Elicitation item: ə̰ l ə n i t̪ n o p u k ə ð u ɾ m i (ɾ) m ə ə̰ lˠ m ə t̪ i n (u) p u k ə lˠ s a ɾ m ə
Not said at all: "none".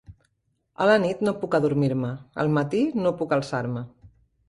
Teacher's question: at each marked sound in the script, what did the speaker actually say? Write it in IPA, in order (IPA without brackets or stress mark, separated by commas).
ɾ, o